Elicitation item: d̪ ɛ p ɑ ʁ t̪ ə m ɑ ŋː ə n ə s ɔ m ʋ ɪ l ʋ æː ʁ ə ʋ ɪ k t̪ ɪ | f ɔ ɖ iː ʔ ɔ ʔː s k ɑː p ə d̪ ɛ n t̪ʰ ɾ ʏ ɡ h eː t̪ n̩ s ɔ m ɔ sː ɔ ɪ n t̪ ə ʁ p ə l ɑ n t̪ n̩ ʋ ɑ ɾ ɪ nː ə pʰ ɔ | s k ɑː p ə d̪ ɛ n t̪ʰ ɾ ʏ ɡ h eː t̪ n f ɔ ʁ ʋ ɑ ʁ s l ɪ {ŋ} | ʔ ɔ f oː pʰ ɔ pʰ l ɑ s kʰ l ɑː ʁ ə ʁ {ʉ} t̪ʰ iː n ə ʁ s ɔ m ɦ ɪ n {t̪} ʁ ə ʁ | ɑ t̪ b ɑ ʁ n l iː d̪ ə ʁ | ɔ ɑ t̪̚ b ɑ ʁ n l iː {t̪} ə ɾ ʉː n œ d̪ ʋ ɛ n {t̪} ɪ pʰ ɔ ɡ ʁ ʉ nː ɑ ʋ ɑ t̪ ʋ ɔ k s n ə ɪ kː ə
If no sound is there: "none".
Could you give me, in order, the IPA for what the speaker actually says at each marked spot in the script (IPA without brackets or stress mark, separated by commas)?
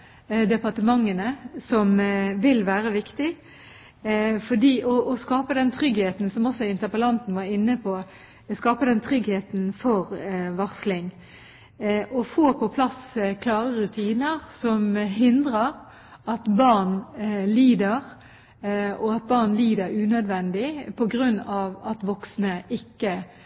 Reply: ŋ, ʉ, d̪, d̪, d̪